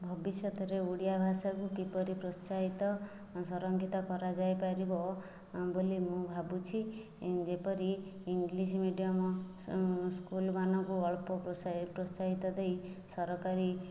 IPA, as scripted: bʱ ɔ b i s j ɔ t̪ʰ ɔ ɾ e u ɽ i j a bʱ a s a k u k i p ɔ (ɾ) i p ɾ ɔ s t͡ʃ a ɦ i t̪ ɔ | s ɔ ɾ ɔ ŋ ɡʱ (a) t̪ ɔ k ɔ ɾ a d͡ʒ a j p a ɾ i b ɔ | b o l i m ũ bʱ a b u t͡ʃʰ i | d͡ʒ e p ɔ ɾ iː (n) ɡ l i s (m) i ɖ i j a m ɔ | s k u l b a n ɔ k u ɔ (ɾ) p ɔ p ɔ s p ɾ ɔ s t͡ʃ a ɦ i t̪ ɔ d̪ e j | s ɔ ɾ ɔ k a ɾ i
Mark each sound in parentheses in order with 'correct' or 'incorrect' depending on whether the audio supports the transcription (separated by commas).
correct, incorrect, incorrect, correct, incorrect